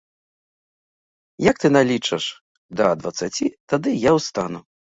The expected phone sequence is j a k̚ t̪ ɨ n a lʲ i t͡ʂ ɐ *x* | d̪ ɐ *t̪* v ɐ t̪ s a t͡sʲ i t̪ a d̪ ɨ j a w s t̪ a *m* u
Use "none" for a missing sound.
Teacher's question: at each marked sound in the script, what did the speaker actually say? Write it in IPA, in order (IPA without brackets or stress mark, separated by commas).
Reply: ʂ, d̪, n